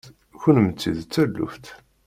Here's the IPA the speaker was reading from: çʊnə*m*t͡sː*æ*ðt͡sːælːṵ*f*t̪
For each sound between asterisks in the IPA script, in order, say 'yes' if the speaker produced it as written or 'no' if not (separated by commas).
yes, no, yes